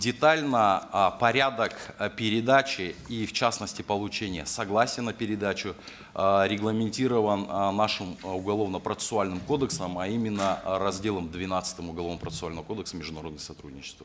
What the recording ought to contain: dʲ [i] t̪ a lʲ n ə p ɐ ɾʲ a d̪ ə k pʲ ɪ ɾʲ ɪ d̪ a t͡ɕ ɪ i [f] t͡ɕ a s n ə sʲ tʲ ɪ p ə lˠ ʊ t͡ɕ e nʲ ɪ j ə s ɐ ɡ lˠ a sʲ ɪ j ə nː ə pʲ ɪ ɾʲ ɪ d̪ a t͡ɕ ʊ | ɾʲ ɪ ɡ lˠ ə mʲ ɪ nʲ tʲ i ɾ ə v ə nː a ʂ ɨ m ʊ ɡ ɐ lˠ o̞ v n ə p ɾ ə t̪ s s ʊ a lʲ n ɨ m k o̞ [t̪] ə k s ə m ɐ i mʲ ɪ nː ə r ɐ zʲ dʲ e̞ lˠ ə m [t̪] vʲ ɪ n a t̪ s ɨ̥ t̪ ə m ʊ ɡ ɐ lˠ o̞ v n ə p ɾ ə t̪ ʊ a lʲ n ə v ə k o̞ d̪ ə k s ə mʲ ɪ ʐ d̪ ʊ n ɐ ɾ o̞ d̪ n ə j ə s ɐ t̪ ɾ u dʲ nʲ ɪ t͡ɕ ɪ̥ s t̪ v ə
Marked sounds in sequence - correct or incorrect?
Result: incorrect: ɪ, correct, incorrect: d̪, incorrect: d̪

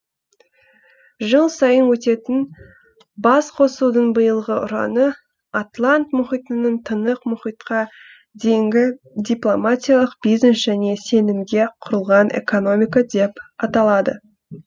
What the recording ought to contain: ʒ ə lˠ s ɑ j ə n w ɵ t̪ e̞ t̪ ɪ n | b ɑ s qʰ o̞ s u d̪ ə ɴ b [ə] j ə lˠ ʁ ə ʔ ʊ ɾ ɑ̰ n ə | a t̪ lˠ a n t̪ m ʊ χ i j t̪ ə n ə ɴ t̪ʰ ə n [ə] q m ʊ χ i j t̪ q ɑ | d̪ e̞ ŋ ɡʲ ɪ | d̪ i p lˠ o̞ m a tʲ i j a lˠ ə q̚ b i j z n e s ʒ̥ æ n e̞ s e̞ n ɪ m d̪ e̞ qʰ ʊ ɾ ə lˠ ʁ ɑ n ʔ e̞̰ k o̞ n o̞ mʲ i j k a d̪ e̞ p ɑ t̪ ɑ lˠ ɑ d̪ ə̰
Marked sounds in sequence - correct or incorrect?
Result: correct, correct

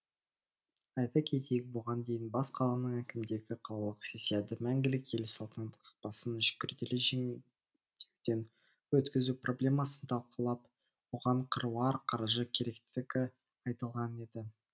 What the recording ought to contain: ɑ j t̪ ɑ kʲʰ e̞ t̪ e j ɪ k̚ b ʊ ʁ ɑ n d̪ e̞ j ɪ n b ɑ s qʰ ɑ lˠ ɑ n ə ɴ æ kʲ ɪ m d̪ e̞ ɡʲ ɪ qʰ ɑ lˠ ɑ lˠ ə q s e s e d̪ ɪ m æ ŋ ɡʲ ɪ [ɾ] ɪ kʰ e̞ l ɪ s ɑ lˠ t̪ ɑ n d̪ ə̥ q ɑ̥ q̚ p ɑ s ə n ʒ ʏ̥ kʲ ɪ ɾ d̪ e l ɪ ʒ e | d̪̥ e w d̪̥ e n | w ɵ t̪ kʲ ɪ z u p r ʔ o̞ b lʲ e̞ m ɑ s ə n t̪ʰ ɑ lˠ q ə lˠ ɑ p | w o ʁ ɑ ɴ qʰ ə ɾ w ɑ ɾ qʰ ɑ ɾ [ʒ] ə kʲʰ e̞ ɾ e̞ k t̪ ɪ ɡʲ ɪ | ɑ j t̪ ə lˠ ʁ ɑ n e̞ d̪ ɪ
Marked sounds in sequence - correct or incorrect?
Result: incorrect: l, correct

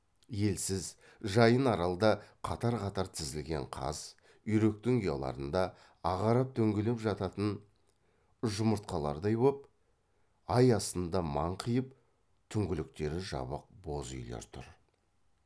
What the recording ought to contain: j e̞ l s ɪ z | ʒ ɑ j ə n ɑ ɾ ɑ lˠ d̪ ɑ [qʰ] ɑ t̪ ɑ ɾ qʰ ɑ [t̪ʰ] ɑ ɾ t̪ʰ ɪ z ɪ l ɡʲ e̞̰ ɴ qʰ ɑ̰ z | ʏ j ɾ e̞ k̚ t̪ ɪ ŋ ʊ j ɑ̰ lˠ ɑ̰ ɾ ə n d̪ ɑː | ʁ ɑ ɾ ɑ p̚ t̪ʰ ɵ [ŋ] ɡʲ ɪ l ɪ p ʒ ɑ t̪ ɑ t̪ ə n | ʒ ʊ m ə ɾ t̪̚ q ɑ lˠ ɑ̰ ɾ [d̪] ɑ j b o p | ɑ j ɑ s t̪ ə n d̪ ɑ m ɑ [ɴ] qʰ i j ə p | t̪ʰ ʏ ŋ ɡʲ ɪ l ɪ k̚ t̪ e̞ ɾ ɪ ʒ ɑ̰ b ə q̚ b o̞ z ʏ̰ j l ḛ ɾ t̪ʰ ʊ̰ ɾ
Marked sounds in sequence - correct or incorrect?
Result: correct, incorrect: t̪, correct, correct, correct

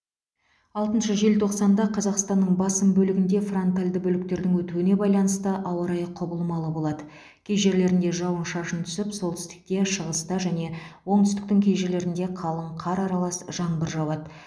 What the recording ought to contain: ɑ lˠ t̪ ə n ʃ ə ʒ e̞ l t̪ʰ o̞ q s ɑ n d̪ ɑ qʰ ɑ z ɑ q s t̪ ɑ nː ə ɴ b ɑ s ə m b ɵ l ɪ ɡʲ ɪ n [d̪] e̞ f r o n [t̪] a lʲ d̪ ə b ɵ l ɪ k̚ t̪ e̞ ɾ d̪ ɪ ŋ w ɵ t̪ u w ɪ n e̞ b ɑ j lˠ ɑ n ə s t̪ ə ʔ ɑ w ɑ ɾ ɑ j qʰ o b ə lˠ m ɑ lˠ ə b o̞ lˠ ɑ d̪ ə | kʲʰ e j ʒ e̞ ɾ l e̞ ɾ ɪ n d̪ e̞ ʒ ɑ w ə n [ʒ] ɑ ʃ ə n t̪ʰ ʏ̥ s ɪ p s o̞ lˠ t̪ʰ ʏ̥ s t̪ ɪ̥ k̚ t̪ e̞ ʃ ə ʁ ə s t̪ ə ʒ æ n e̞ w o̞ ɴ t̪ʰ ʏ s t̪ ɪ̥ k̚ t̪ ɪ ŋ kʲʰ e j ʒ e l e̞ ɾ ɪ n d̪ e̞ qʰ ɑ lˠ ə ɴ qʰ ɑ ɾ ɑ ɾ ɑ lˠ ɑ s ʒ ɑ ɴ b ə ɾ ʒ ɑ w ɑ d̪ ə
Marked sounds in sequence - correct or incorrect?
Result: correct, correct, incorrect: ʃ

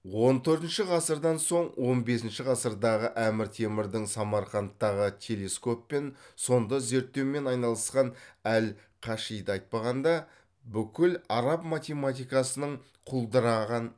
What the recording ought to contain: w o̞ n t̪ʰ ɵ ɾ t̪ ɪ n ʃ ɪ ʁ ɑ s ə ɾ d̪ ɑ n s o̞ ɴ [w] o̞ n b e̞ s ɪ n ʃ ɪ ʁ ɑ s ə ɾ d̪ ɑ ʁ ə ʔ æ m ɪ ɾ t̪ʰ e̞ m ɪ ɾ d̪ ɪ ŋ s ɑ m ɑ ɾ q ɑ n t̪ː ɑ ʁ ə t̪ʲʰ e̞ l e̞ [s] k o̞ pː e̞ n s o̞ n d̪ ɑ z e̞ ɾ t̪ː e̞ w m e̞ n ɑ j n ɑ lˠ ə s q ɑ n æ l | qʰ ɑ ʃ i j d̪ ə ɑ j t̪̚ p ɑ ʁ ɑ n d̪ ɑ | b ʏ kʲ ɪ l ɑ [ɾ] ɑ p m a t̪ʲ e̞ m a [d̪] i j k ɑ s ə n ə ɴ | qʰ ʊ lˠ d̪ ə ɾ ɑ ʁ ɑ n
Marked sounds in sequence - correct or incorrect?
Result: correct, correct, correct, incorrect: t̪

